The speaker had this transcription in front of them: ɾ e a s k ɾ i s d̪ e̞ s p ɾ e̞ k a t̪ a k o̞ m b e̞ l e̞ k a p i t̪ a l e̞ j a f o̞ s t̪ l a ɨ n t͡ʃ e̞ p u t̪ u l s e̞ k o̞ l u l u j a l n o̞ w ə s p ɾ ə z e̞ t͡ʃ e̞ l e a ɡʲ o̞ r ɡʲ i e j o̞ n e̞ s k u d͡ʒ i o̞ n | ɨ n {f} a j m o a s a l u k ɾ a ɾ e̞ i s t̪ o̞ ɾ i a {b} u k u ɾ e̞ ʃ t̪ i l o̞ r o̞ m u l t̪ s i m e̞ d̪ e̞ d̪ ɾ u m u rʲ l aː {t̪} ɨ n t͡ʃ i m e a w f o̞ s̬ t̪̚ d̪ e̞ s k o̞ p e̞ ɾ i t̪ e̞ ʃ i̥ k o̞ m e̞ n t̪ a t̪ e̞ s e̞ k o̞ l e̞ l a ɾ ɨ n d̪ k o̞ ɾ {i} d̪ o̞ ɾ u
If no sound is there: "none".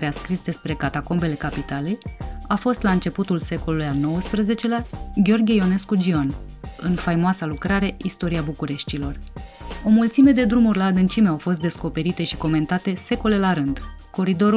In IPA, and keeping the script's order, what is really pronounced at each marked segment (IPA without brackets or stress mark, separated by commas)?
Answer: f, b, d̪, i